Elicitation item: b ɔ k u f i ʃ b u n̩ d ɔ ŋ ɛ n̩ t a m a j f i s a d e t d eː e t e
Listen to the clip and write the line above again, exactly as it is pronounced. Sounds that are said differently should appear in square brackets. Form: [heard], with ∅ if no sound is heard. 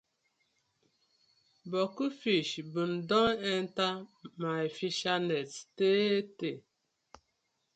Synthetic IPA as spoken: b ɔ k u f i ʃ b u n̩ d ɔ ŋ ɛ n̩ t a m a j f i [ʃ] a [n] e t [t] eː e t e